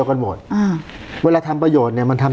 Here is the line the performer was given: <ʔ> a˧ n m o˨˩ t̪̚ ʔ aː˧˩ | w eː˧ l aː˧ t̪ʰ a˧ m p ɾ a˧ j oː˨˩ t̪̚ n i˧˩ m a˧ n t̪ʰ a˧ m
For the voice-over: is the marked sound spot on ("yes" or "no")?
no